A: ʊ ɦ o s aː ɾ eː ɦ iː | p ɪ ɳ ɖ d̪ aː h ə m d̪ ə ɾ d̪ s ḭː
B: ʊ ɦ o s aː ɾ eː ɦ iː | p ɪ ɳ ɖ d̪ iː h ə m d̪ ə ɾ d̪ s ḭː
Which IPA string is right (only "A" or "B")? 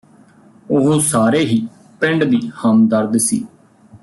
B